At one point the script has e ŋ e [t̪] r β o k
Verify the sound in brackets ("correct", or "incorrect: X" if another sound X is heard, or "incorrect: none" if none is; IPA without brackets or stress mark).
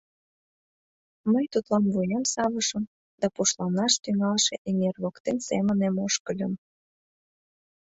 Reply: incorrect: none